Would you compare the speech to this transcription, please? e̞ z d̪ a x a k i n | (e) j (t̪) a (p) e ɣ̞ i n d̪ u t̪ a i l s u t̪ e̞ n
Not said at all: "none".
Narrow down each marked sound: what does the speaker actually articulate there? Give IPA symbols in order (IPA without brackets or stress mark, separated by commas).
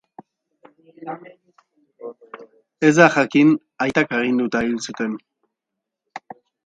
a, t̪, k